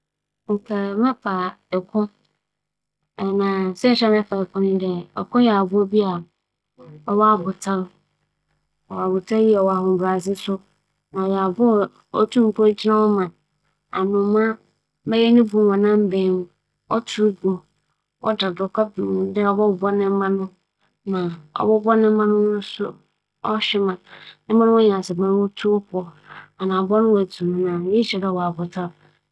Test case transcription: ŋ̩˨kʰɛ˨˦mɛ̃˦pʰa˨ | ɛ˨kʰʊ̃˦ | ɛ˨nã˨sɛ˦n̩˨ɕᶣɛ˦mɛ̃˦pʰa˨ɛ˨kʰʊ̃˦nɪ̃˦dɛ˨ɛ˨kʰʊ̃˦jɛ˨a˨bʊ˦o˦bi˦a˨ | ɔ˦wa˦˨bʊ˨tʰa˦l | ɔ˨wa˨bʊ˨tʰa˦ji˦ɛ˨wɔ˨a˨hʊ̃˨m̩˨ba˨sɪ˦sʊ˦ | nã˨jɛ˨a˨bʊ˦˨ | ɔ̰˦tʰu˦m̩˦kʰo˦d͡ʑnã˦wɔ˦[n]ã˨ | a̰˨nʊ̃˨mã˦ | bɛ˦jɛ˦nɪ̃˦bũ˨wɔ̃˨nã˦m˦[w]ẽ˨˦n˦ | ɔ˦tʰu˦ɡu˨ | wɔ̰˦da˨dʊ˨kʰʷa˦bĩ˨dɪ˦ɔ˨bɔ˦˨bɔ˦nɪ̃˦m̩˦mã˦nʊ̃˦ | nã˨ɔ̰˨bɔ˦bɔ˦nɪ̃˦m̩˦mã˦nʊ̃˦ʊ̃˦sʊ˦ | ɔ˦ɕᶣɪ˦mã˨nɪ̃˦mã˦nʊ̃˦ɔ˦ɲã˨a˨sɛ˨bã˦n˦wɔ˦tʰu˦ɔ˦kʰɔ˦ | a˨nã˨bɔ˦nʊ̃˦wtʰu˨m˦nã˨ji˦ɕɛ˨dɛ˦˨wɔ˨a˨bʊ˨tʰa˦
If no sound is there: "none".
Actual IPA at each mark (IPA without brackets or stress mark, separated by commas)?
m, b